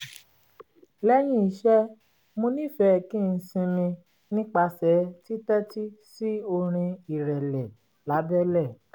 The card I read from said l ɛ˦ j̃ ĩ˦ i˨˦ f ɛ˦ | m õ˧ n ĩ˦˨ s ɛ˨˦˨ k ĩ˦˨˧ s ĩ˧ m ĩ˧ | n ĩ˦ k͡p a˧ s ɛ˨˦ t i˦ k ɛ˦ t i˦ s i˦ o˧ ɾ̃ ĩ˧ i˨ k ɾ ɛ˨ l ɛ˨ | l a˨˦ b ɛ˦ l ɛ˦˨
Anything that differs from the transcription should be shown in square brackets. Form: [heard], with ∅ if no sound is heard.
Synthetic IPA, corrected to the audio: l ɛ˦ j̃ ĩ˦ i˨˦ [ʃ] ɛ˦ | m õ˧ n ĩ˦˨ [f] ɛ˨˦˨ k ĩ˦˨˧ s ĩ˧ m ĩ˧ | n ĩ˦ k͡p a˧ s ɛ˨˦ t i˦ [t] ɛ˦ t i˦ s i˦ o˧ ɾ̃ ĩ˧ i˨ [∅] ɾ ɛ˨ l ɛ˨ | l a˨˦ b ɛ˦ l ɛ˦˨

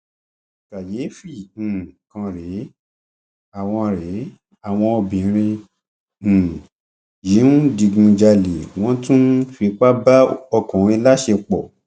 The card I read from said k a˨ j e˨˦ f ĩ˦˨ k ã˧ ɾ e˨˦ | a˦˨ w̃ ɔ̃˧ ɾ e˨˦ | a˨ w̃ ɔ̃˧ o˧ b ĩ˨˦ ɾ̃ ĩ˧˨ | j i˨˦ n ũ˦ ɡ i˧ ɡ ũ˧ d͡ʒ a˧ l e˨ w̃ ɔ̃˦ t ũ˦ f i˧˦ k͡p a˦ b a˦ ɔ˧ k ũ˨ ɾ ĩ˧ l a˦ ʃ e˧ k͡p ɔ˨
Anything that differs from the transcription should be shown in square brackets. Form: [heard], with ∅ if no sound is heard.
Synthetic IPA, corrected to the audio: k a˨ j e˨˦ f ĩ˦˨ k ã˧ ɾ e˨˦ | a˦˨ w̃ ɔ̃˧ ɾ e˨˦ | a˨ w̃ ɔ̃˧ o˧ b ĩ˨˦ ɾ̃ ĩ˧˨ | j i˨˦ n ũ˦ [d] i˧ ɡ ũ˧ d͡ʒ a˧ l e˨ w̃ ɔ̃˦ t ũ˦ f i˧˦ k͡p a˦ b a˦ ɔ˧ k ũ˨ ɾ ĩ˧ l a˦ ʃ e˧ k͡p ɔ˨

